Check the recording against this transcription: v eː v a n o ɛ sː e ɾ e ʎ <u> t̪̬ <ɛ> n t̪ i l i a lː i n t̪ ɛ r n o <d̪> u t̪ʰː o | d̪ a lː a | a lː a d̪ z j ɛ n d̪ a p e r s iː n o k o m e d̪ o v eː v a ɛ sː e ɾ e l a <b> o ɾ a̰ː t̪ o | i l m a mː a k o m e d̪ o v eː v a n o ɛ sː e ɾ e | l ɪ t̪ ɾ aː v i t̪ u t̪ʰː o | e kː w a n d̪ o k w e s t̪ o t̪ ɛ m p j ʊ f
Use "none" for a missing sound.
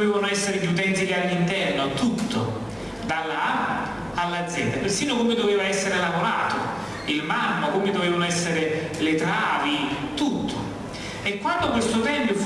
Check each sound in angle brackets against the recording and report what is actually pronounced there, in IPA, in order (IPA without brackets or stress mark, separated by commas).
u, ɛ, t̪, v